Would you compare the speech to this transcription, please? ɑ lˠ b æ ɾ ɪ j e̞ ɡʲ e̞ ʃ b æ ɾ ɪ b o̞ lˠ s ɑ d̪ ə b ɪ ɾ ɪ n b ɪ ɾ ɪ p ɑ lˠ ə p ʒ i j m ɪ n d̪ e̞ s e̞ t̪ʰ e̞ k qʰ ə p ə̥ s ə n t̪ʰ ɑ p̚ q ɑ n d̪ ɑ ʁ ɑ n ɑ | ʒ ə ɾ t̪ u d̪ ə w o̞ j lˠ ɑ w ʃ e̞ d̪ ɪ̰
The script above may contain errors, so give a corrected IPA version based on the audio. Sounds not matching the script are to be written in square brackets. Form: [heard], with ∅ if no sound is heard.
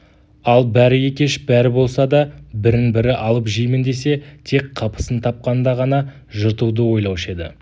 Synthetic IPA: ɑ lˠ b æ ɾ ɪ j e̞ [kʲ] e̞ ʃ b æ ɾ ɪ b o̞ lˠ s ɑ d̪ [ɑ] b ɪ ɾ ɪ n b ɪ ɾ ɪ [ʔ] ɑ lˠ ə p ʒ i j m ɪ n d̪ e̞ s e̞ t̪ʰ e̞ k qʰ [ɑ] p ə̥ s ə n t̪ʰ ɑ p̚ q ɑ n d̪ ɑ ʁ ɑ n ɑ | ʒ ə ɾ t̪ u d̪ ə w o̞ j lˠ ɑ w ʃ e̞ d̪ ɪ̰